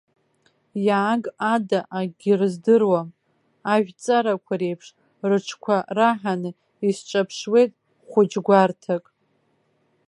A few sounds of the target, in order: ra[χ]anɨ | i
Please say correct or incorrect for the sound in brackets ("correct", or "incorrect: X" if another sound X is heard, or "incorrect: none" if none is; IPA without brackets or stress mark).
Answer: incorrect: ħ